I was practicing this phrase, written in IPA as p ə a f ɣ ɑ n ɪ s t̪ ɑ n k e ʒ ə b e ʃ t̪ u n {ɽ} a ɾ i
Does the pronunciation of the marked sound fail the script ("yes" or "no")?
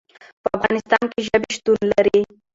yes